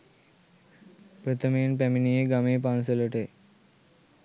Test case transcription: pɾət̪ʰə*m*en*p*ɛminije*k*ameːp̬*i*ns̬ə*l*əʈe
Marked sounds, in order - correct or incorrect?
correct, correct, incorrect, incorrect, correct

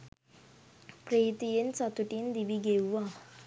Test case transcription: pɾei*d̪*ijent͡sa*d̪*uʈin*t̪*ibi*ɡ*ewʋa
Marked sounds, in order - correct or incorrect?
incorrect, incorrect, incorrect, correct

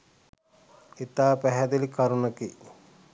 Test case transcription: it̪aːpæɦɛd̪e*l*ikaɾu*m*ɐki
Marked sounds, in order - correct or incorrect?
correct, incorrect

